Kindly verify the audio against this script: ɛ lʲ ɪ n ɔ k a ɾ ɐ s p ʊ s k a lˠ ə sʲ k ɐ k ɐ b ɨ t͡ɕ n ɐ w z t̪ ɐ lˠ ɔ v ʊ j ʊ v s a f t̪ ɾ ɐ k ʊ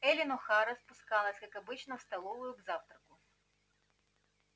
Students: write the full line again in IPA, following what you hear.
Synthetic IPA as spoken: ɛ lʲ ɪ n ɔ x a ɾ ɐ s p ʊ s k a lˠ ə sʲ k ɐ k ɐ b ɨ t͡ɕ n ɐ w s t̪ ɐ lˠ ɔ v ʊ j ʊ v z a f t̪ ɾ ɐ k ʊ